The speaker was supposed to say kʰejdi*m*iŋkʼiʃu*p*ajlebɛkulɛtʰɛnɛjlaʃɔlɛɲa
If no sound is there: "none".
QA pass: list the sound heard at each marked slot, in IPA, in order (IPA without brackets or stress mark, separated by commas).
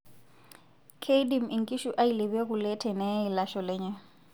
m, ʔ